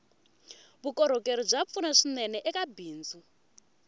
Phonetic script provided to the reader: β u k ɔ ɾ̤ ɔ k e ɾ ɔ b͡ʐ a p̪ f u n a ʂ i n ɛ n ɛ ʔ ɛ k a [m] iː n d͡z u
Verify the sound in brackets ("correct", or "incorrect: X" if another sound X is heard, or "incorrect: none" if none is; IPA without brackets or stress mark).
incorrect: b